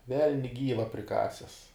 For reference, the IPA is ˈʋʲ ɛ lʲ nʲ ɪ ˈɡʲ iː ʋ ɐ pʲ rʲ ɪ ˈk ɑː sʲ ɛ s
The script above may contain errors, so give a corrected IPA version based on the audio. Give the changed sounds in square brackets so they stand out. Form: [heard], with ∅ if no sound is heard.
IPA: ˈʋʲ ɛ lʲ nʲ ɪ ˈɡʲ iː ʋ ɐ pʲ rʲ ɪ ˈk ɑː sʲ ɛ s